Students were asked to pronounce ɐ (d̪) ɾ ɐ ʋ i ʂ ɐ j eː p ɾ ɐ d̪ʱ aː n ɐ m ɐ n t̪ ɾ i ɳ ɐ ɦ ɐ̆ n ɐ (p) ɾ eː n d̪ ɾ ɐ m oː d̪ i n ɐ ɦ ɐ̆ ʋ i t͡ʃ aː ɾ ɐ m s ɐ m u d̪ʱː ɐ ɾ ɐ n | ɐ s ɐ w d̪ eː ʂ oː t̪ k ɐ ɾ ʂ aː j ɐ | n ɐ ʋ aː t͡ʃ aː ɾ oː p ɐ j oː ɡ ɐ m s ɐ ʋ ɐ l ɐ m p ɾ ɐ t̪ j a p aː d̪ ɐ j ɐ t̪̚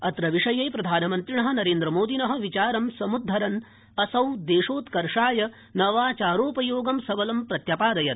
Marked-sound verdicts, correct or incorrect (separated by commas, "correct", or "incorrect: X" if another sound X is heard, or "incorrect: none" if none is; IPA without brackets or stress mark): incorrect: t̪, incorrect: none